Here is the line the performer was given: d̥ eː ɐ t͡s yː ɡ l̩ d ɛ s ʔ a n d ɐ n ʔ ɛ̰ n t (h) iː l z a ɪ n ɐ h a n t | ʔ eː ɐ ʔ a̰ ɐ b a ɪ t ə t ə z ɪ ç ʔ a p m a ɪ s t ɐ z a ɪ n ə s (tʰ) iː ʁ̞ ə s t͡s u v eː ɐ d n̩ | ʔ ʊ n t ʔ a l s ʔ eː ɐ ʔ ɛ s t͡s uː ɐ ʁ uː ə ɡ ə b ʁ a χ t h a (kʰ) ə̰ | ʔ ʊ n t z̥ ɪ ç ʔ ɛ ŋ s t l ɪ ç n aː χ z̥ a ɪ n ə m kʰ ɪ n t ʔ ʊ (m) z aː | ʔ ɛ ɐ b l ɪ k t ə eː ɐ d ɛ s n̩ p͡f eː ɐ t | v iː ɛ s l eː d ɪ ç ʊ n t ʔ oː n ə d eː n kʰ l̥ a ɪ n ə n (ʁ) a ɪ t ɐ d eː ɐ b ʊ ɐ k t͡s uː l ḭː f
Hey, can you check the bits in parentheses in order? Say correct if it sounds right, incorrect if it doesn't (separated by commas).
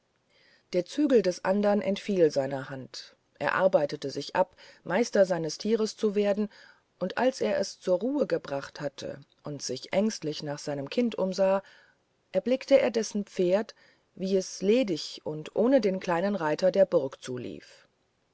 incorrect, correct, incorrect, correct, correct